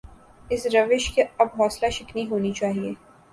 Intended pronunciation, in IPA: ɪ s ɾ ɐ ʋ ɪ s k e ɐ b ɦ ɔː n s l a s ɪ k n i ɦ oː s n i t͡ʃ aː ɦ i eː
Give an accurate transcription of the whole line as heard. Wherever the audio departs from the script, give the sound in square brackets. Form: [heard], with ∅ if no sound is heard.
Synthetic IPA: ɪ s ɾ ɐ ʋ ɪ [ʃ] k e ɐ b ɦ ɔː [∅] s l a [ʃ] ɪ k n i ɦ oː [∅] n i t͡ʃ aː ɦ i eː